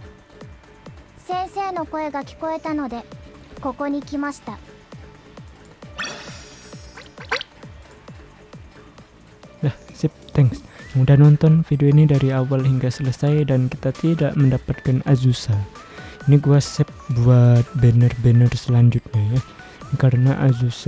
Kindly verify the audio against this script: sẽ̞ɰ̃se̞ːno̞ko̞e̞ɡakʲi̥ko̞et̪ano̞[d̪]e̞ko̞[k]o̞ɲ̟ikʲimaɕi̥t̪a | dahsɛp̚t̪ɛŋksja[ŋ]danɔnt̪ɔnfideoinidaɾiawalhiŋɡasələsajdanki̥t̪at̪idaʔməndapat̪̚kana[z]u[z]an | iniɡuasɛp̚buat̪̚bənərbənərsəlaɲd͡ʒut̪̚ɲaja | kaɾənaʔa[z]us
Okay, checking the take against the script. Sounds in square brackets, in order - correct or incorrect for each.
correct, correct, correct, correct, incorrect: s, correct

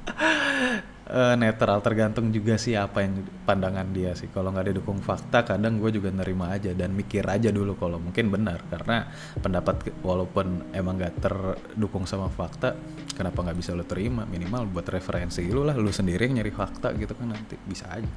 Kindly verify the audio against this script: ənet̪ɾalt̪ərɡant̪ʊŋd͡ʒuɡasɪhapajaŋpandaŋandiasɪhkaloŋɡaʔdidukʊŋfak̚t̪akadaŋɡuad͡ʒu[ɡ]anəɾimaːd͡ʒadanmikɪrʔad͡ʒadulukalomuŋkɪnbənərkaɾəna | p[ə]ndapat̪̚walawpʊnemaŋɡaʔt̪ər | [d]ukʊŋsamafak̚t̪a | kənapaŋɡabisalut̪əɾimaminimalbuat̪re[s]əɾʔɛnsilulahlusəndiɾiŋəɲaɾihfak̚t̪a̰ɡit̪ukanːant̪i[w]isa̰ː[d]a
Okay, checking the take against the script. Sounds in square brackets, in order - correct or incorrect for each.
correct, correct, correct, incorrect: f, incorrect: b, incorrect: d͡ʒ

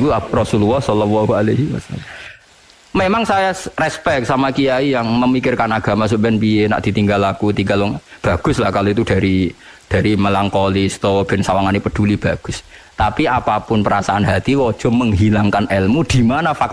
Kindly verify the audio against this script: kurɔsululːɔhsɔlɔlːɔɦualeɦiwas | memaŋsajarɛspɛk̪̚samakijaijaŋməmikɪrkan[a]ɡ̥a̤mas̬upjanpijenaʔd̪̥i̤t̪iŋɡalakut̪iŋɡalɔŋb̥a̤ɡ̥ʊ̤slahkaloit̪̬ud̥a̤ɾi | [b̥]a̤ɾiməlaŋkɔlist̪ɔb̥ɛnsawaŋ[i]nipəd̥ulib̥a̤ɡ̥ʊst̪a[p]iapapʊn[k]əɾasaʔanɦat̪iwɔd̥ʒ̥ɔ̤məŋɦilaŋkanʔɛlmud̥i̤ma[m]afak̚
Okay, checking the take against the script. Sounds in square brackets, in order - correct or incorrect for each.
correct, incorrect: d̥, incorrect: a, correct, incorrect: p, incorrect: n

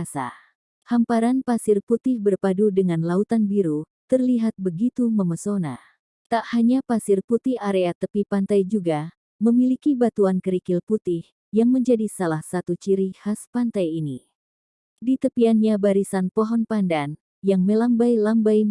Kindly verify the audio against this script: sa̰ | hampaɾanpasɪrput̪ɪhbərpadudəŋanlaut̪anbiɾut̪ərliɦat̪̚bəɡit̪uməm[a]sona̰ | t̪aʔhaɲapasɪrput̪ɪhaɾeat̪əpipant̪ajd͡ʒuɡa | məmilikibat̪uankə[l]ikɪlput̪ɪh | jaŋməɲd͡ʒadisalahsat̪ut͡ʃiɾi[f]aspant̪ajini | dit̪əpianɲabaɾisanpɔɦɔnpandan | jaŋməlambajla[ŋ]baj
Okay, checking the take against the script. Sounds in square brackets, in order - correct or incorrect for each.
incorrect: ə, incorrect: ɾ, incorrect: h, incorrect: m

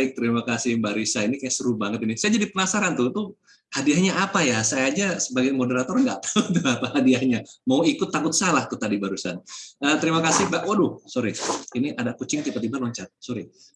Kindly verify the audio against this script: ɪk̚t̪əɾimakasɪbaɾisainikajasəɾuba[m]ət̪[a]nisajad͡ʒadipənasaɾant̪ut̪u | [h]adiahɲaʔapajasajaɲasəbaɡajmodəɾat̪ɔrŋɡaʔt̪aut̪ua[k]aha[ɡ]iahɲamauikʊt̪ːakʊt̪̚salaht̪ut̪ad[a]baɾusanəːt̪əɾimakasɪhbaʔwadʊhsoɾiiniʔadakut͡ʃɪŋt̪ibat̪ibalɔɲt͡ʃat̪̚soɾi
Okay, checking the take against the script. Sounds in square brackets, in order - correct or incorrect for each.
incorrect: ŋ, incorrect: i, correct, incorrect: p, incorrect: d, incorrect: i

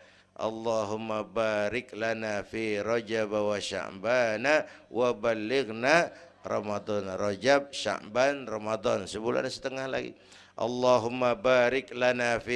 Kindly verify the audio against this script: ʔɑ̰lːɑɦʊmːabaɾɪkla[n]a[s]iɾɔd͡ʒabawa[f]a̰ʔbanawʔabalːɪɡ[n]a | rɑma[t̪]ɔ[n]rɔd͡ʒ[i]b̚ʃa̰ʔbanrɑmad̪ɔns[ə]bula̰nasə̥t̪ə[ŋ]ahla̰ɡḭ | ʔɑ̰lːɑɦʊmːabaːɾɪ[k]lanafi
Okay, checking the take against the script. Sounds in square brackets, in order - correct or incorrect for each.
correct, incorrect: f, incorrect: ʃ, correct, incorrect: d̪, correct, incorrect: a, correct, correct, correct

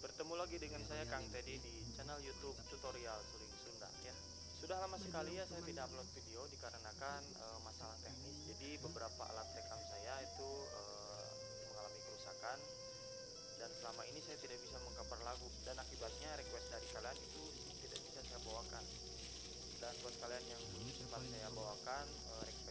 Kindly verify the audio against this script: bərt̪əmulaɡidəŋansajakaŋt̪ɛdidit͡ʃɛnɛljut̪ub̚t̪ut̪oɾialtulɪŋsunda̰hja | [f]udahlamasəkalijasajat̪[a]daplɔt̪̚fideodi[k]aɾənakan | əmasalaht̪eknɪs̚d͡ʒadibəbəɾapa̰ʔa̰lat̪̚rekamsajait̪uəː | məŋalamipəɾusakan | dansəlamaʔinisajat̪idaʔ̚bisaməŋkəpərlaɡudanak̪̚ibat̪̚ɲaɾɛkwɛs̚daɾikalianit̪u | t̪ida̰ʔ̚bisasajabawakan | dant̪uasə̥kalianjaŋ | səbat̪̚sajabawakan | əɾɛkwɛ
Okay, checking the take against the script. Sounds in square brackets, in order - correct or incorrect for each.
incorrect: s, incorrect: i, correct

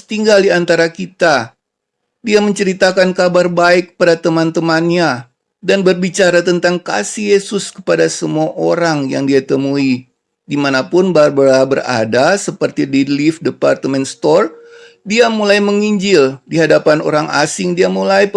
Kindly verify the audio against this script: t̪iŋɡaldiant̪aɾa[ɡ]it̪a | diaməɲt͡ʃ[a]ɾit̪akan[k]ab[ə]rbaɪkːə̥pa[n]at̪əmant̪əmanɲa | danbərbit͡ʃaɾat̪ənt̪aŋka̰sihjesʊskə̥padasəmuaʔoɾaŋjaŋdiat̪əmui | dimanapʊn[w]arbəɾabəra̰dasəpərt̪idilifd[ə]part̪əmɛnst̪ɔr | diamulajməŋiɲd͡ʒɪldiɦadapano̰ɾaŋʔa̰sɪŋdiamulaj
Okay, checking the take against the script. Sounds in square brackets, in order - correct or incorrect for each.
incorrect: k, incorrect: ə, correct, incorrect: a, incorrect: d, incorrect: b, correct

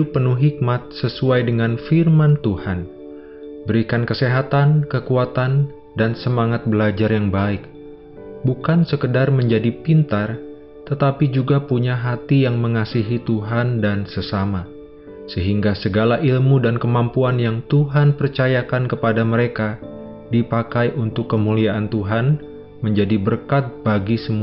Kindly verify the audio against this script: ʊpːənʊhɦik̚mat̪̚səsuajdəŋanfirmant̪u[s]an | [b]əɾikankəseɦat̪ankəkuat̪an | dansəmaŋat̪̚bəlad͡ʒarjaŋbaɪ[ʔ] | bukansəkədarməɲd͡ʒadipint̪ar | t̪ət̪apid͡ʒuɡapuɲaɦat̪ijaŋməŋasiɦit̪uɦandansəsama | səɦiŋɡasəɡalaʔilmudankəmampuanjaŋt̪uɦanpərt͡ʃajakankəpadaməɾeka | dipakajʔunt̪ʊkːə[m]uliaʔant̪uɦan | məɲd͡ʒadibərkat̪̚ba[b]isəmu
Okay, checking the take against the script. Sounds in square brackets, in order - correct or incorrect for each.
incorrect: h, correct, incorrect: k, correct, incorrect: ɡ

